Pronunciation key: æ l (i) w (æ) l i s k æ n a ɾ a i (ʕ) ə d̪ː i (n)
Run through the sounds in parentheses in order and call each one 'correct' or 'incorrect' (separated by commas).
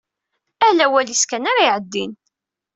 incorrect, correct, correct, correct